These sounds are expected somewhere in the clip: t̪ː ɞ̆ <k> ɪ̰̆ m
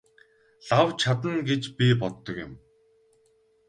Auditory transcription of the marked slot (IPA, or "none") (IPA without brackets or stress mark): k